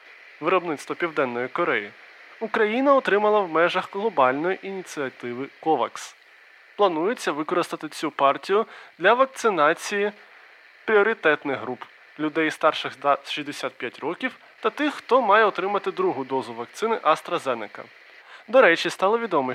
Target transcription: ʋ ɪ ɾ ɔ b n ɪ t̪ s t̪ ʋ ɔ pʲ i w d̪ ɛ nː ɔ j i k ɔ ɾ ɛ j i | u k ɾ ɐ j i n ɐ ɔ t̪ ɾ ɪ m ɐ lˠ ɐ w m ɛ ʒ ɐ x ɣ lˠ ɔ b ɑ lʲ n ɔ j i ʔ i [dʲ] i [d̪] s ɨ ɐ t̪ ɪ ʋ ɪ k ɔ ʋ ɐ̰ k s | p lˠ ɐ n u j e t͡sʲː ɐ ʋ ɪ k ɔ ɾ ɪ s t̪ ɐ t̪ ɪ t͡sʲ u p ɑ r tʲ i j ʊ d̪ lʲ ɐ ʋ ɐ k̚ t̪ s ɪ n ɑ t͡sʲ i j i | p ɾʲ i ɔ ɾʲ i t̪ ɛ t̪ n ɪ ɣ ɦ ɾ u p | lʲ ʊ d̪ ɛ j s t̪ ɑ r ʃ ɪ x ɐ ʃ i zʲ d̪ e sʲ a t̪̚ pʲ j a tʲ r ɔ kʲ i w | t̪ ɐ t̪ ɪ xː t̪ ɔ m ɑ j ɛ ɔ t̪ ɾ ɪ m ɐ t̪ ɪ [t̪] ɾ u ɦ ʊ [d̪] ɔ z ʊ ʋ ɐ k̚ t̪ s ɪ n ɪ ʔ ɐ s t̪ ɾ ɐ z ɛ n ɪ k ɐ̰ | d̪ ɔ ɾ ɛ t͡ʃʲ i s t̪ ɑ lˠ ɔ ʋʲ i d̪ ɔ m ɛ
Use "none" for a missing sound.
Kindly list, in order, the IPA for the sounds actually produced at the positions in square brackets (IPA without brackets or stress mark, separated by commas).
nʲ, t̪, d̪, d̪